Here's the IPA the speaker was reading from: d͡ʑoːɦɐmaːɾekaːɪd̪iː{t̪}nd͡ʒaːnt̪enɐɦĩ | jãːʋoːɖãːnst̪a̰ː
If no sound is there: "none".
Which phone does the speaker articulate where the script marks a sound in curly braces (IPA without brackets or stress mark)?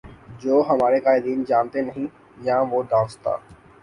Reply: none